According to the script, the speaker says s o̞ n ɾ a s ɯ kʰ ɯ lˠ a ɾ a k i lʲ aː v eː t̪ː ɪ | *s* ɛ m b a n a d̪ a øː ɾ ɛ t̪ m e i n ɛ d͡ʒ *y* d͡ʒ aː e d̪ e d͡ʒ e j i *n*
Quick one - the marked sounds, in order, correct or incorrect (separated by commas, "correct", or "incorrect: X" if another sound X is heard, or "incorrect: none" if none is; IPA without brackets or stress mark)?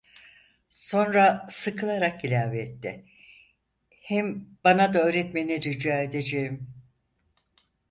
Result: incorrect: h, correct, incorrect: m